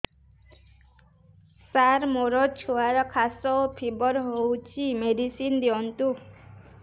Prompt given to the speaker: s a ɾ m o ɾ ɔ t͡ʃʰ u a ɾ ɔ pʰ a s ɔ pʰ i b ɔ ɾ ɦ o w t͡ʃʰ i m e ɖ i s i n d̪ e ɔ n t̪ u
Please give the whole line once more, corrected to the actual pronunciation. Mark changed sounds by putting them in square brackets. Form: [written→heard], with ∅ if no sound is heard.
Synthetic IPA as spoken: s a ɾ m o ɾ ɔ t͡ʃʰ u a ɾ ɔ [pʰ→kʰ] a s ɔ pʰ i b ɔ ɾ ɦ o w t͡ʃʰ i m e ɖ i s i n d̪ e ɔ n t̪ u